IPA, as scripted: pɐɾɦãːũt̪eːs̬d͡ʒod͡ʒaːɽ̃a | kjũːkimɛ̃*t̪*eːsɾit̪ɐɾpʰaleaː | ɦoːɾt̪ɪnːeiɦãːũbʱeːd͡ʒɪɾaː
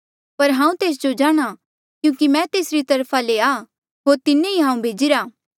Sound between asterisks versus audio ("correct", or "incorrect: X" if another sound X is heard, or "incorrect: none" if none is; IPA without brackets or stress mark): correct